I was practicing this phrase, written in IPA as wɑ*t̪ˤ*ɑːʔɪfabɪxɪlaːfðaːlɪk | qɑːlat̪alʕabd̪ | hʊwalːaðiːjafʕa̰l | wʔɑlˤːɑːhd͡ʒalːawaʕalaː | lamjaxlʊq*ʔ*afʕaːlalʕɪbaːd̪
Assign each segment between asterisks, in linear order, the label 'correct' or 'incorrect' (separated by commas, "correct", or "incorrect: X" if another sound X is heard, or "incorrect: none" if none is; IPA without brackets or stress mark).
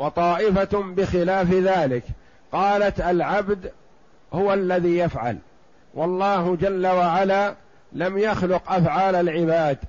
correct, correct